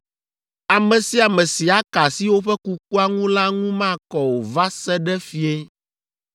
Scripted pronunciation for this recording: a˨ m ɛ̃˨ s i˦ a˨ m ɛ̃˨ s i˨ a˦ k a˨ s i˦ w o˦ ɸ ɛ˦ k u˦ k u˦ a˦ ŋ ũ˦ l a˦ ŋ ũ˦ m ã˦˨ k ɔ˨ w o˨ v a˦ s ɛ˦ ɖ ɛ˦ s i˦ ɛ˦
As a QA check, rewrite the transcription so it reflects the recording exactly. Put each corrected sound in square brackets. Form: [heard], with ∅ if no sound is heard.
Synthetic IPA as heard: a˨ m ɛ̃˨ s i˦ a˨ m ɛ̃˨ s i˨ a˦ k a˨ s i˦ w o˦ ɸ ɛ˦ k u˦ k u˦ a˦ ŋ ũ˦ l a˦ ŋ ũ˦ m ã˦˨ k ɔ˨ w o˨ v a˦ s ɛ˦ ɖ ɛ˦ [f] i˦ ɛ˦